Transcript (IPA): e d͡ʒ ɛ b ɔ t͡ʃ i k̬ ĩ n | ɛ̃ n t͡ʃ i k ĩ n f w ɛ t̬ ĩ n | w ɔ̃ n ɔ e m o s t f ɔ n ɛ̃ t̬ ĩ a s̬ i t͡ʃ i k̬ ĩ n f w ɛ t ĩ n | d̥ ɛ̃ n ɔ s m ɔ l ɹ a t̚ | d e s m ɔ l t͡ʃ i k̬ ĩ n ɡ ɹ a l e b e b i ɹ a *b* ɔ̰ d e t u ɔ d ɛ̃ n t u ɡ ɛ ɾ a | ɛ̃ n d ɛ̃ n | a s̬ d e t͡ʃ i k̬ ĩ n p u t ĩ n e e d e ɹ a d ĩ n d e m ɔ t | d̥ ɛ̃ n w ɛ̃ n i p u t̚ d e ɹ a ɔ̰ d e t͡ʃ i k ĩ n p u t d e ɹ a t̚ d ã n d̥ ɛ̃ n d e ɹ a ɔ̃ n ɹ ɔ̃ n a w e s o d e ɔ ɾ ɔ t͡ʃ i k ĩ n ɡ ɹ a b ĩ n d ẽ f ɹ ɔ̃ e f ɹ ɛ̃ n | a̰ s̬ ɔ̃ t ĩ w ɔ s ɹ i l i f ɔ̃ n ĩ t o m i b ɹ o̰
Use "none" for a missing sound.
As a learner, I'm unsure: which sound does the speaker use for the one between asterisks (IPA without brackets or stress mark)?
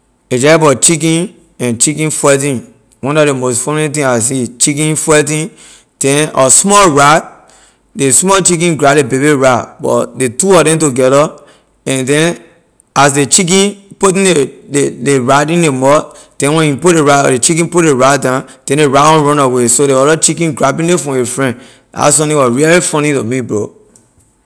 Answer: b